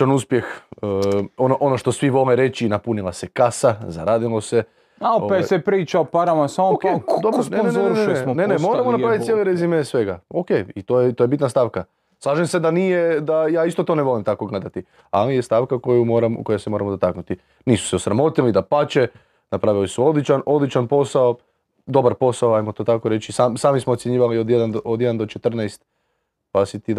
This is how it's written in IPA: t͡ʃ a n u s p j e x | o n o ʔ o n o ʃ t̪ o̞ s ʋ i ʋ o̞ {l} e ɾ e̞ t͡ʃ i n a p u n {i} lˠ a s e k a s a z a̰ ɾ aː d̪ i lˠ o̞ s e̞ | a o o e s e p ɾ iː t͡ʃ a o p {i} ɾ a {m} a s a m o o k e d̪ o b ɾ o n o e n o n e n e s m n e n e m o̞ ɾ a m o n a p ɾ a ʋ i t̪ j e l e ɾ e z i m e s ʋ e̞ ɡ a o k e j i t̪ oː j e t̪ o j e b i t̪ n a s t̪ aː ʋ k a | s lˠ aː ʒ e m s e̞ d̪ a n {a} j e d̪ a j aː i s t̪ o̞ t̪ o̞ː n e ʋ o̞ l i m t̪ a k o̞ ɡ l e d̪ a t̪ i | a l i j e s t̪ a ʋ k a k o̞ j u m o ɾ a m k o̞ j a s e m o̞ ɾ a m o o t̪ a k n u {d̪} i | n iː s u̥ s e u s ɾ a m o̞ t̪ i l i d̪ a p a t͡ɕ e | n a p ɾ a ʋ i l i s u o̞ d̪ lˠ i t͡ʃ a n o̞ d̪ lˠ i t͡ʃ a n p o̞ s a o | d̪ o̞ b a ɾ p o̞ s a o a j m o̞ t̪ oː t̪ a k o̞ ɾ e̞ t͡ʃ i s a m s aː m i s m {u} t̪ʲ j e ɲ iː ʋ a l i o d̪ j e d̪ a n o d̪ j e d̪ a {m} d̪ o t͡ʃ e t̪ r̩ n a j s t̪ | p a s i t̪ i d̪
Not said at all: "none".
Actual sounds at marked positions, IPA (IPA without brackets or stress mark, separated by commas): l, i, a, m, i, t̪, o, n